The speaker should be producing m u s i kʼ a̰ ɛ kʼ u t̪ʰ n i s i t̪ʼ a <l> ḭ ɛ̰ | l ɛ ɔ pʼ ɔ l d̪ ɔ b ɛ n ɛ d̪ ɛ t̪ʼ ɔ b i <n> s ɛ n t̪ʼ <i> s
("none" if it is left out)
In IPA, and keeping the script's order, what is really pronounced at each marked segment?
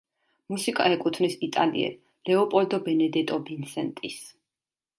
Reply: l, n, i

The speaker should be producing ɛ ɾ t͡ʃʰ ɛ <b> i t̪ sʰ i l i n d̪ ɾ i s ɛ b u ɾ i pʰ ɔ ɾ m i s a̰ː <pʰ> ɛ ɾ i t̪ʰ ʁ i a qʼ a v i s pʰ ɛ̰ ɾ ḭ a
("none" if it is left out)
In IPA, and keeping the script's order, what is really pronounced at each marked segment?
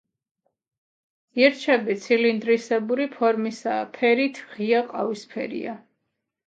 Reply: b, pʰ

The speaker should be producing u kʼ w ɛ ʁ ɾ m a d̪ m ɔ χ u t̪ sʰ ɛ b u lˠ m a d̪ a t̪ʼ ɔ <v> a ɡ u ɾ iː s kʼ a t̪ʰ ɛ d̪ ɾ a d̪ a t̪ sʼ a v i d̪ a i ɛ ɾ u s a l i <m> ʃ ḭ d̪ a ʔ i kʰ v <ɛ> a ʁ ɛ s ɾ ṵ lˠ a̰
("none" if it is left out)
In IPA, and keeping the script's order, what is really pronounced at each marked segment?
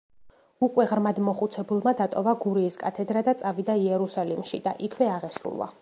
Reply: v, m, ɛ

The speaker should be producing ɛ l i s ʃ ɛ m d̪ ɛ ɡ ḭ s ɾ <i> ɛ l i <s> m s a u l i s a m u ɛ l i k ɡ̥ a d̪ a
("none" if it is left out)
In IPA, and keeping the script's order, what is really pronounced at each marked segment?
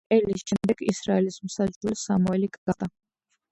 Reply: a, s

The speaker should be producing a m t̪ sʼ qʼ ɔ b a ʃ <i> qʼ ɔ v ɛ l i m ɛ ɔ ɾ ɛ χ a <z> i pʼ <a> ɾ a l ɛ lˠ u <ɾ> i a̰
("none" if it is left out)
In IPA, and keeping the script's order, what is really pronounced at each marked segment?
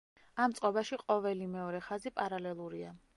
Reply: i, z, a, ɾ

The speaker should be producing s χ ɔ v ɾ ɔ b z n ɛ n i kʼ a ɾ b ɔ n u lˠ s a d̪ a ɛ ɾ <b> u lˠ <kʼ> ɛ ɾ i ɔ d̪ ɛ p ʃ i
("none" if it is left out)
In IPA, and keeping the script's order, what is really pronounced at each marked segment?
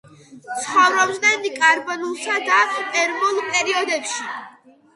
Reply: m, pʼ

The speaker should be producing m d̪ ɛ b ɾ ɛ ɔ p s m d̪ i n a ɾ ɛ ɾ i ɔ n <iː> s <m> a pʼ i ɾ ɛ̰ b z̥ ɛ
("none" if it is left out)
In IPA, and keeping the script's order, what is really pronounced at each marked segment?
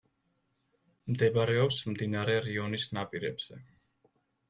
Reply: i, n

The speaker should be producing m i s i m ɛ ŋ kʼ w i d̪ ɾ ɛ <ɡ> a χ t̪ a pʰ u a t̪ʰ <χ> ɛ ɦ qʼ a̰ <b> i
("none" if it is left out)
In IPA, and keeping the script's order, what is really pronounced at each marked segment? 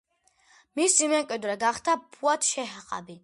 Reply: ɡ, ʃ, b

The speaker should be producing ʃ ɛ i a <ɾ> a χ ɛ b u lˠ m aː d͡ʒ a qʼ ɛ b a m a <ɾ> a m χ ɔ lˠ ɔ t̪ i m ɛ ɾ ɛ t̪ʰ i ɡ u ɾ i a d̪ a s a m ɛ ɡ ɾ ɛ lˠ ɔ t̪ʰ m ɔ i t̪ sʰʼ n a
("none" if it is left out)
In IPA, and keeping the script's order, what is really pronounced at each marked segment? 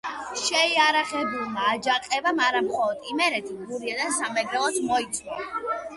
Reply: ɾ, ɾ

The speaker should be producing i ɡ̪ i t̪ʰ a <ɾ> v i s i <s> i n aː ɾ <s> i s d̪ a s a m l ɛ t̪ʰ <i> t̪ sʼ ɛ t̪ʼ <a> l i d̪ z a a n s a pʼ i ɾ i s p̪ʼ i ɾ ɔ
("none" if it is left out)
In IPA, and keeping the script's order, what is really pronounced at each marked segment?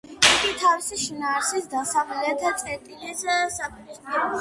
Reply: none, ʃ, s, a, i

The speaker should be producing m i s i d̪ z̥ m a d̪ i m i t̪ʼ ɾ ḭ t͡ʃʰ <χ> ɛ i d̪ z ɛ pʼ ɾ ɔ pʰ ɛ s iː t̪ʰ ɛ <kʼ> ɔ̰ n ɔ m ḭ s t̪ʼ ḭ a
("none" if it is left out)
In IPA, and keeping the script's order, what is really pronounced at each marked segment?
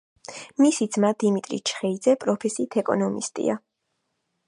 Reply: χ, kʼ

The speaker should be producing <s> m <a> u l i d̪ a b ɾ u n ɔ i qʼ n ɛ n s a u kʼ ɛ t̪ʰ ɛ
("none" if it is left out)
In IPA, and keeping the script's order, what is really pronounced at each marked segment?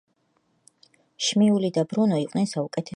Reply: ʃ, i

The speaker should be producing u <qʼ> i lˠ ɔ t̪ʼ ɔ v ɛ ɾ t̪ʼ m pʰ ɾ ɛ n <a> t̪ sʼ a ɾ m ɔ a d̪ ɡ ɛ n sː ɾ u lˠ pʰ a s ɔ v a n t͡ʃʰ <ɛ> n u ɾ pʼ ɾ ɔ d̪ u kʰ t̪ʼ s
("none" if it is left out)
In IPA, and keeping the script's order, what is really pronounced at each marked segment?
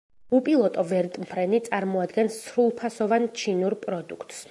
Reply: pʼ, i, i

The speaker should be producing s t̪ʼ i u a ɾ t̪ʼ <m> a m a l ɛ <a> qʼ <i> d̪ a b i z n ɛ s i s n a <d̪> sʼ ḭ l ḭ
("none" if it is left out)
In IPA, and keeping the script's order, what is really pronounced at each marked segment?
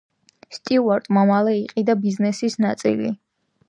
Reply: m, i, i, t̪

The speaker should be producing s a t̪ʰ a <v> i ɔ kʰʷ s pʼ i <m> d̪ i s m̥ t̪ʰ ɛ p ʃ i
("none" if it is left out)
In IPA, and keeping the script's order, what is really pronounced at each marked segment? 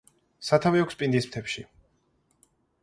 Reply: v, n

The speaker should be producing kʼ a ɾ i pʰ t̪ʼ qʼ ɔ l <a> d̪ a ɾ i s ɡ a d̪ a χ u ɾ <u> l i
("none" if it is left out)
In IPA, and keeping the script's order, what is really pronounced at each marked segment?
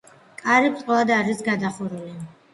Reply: a, u

